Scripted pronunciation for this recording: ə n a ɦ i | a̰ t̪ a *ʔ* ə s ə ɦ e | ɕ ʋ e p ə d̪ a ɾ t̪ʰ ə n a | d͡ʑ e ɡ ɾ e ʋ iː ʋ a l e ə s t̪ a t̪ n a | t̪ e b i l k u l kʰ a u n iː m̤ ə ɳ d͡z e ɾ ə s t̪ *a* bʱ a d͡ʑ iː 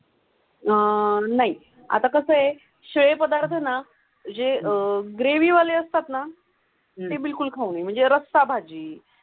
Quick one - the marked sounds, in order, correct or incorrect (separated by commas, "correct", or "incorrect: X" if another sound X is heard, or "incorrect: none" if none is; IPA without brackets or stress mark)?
incorrect: k, correct